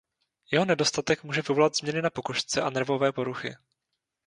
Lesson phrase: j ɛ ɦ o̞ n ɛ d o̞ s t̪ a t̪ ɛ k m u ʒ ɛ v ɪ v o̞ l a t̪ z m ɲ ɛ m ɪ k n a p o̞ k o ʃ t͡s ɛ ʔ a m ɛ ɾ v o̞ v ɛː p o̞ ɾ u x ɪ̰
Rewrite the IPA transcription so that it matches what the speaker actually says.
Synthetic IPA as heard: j ɛ ɦ o̞ n ɛ d o̞ s t̪ a t̪ ɛ k m uː ʒ ɛ v ɪ v o̞ l a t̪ z m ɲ ɛ n ɪ n a p o̞ k o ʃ t͡s ɛ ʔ a n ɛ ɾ v o̞ v ɛː p o̞ ɾ u x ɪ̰